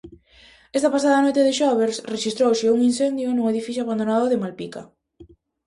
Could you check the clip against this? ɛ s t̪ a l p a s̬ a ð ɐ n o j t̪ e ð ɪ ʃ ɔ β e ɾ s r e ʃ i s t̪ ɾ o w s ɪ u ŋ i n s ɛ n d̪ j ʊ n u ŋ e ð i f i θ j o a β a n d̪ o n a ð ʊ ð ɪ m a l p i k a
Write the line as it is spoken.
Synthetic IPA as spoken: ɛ s t̪ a p a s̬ a ð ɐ n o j t̪ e ð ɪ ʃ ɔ β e ɾ s r e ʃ i s t̪ ɾ o w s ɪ u ŋ i n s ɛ n d̪ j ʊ n u ŋ e ð i f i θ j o a β a n d̪ o n a ð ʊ ð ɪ m a l p i k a